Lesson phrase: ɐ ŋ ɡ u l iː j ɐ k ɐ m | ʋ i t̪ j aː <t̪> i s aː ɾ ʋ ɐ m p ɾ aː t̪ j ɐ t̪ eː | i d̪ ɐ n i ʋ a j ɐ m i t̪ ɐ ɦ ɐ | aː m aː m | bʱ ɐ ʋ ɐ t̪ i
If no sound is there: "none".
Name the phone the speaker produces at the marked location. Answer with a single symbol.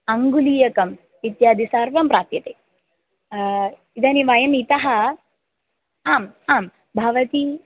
d̪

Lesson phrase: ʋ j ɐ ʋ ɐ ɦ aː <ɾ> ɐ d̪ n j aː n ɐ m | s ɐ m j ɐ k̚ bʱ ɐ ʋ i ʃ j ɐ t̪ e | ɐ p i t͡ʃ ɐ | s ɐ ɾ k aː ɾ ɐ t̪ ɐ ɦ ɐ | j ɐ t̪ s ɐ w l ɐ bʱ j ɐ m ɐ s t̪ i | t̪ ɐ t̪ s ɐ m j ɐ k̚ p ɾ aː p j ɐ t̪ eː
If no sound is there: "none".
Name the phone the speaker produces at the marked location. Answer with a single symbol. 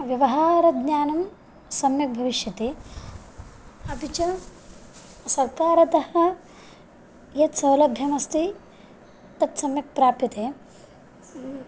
ɾ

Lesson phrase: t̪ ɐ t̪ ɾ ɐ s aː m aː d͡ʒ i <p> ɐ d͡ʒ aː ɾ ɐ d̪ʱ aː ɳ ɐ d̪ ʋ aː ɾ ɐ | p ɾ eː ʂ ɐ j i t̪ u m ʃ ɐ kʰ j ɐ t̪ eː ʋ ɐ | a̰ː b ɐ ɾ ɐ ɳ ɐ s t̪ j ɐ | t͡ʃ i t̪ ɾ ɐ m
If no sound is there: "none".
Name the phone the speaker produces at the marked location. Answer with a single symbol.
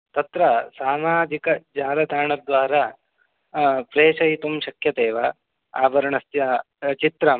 k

